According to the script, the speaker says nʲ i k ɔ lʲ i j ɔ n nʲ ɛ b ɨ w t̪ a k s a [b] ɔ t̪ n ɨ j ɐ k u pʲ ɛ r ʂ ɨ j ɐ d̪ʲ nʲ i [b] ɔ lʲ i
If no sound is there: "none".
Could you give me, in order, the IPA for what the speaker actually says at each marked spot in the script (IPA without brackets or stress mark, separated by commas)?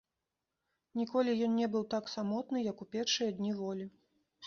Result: m, v